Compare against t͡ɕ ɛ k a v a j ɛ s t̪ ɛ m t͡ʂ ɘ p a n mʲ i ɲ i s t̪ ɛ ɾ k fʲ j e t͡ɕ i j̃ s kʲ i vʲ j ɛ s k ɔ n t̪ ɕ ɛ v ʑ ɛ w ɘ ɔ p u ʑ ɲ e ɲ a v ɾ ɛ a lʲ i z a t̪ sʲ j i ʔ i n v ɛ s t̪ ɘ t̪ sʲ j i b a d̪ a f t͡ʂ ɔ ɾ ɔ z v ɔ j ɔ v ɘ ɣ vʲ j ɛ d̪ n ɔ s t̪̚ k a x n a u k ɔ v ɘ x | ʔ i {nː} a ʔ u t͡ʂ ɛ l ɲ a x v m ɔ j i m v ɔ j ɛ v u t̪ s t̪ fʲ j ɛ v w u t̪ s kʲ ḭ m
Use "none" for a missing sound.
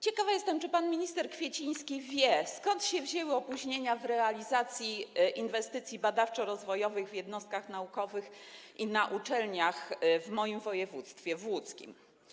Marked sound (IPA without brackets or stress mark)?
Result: n